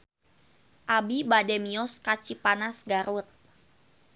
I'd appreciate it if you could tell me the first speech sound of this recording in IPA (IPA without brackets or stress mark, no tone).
ʔ